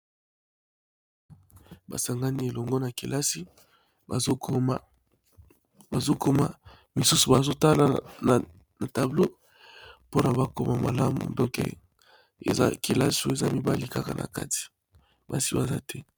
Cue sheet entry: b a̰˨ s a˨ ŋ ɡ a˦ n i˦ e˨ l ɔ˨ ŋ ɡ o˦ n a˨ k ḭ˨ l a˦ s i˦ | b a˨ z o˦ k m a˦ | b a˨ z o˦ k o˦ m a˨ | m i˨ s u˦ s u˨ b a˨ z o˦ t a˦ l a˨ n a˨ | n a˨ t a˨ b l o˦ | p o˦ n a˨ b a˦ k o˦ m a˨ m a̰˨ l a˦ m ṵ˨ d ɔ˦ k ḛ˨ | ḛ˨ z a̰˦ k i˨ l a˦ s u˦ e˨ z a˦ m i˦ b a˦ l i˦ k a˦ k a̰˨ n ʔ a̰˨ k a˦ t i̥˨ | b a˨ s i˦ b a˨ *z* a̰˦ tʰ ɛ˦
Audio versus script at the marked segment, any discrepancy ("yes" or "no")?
no